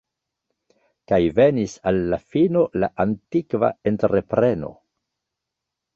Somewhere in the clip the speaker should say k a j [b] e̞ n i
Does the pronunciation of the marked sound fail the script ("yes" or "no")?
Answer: yes